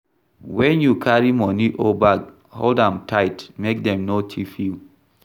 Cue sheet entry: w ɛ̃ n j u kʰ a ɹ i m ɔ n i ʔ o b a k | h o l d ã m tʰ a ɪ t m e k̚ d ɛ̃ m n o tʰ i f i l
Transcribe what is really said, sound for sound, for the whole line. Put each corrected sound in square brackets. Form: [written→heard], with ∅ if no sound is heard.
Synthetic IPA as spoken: w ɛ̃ n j u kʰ a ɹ i m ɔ n i ʔ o b a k | h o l d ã m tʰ a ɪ t m e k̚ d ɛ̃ m n o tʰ i f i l